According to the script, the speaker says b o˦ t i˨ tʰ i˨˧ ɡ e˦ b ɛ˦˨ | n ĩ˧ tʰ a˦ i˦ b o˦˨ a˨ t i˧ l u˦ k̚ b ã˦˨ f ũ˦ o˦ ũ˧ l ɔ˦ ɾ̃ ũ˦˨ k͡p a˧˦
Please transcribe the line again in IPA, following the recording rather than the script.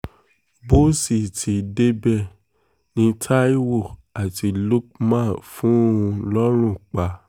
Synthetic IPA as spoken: b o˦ s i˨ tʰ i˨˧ d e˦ b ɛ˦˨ | n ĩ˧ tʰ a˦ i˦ w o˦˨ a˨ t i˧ l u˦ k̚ m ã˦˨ f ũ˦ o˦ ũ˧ l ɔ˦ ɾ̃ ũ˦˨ k͡p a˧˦